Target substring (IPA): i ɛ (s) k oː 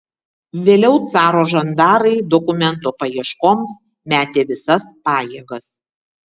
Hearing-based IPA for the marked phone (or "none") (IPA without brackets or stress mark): ʃ